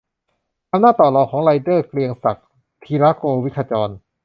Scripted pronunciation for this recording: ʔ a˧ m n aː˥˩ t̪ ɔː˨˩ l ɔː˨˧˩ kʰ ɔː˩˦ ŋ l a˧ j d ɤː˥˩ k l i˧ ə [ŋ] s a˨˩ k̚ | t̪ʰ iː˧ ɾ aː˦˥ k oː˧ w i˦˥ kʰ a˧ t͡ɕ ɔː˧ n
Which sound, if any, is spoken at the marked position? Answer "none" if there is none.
ŋ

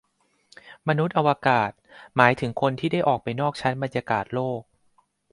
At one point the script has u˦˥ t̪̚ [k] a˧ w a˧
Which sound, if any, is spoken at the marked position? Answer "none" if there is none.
ʔ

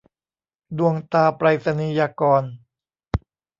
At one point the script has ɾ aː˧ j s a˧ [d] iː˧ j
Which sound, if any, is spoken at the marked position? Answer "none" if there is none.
n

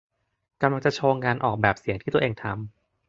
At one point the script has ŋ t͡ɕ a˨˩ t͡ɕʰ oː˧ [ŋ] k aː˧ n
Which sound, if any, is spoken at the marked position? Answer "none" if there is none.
ŋ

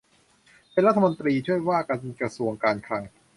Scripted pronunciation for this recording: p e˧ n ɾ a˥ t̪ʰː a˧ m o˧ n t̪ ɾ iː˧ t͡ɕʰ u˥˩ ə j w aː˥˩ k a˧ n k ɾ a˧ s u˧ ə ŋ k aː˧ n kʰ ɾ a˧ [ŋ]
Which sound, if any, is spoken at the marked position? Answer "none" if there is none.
ŋ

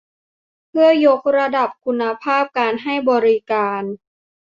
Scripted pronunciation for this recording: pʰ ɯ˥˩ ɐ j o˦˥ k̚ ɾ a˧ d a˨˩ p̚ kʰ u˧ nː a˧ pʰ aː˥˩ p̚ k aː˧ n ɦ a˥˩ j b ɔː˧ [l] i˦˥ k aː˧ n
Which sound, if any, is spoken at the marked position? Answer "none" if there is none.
ɾ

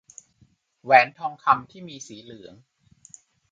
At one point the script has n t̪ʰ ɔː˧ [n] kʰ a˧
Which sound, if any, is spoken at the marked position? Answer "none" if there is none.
ŋ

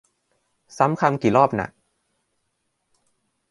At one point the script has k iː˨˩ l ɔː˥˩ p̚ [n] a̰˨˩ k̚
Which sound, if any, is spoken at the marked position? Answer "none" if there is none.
n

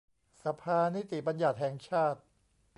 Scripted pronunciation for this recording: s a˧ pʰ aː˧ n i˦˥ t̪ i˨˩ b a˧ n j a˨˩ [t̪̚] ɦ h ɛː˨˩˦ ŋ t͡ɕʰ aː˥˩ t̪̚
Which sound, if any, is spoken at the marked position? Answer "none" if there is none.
t̪̚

